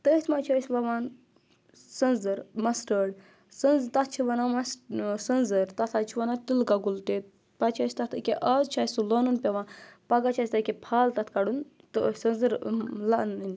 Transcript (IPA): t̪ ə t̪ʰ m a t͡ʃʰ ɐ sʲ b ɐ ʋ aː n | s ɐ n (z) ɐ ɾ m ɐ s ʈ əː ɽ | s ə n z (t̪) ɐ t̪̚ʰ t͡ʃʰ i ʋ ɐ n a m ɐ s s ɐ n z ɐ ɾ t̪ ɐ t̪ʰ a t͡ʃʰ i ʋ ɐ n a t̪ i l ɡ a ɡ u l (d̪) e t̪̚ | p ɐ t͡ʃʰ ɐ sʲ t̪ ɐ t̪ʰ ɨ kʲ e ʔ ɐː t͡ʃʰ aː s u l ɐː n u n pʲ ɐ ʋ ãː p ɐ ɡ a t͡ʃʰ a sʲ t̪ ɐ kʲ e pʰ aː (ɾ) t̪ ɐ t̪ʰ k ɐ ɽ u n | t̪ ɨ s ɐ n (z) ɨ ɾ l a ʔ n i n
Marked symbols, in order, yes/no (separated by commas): yes, yes, no, no, yes